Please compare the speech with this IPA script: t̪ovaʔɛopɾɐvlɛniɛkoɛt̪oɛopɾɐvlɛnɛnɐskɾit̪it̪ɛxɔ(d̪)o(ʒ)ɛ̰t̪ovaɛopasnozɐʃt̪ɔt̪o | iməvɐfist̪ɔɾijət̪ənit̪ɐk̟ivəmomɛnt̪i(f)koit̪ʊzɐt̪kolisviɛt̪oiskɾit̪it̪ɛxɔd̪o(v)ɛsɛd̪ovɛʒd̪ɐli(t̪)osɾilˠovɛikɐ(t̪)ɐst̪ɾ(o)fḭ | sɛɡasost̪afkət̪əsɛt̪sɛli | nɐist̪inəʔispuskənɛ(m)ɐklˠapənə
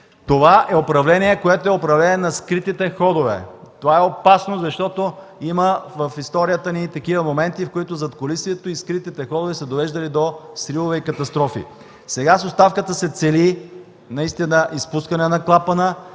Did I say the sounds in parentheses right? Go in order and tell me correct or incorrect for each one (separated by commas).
correct, incorrect, correct, correct, incorrect, correct, incorrect, incorrect